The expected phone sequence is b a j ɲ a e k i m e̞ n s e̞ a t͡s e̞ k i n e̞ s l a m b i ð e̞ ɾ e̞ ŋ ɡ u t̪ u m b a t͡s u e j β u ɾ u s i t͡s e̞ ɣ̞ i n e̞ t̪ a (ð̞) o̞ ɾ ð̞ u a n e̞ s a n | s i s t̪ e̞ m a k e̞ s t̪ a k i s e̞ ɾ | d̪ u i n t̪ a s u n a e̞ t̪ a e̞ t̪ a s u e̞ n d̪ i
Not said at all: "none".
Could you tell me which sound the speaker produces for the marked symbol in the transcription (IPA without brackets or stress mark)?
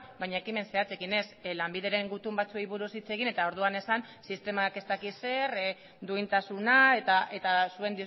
none